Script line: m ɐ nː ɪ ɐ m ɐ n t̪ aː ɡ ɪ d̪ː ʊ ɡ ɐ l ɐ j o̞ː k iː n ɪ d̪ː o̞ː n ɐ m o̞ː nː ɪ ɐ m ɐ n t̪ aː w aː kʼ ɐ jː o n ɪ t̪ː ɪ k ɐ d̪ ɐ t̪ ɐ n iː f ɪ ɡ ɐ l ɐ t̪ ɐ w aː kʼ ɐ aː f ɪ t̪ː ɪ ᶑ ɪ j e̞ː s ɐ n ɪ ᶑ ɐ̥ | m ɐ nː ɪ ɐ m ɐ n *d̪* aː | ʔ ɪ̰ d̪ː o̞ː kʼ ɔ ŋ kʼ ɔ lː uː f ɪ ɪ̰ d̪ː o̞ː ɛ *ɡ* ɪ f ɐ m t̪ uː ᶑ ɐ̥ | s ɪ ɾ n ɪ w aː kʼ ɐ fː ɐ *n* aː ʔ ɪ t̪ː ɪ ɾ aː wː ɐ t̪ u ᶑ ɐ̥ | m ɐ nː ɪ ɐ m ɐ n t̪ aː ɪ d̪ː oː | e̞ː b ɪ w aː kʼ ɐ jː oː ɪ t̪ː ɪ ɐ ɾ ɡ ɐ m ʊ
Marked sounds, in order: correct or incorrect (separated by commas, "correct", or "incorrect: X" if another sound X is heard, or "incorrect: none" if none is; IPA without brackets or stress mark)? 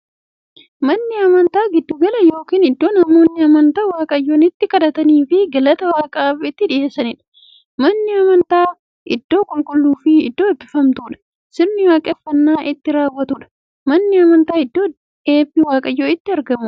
incorrect: t̪, incorrect: b, incorrect: nː